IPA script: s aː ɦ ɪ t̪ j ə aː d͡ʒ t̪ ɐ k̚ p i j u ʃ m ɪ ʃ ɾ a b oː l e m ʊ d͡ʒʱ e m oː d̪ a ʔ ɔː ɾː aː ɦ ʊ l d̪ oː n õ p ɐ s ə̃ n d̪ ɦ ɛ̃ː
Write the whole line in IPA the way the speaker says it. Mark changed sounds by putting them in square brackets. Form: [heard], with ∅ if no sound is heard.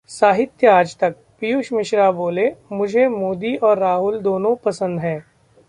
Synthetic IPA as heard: s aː ɦ ɪ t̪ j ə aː d͡ʒ t̪ ɐ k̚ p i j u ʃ m ɪ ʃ ɾ a b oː l e m ʊ d͡ʒʱ e m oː d̪ [i] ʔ ɔː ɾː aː ɦ ʊ l d̪ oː n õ p ɐ s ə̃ n d̪ ɦ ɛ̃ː